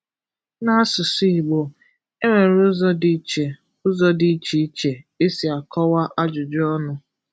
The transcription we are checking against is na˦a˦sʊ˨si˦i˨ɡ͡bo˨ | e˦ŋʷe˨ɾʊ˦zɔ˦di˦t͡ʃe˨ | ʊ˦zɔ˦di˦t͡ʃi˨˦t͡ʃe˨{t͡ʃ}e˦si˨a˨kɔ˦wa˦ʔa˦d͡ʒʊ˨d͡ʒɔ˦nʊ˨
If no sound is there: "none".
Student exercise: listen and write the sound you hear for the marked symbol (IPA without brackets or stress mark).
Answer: none